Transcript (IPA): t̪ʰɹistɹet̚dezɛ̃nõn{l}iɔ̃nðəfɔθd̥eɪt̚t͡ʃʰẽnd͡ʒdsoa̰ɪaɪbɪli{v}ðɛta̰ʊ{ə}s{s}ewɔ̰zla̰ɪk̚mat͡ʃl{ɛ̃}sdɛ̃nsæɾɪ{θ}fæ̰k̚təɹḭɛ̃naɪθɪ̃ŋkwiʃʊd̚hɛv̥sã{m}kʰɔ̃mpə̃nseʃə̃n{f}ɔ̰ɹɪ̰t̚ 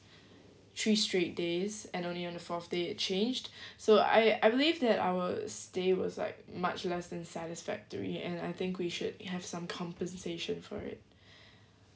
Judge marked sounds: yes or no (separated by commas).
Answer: yes, yes, yes, no, no, no, yes, yes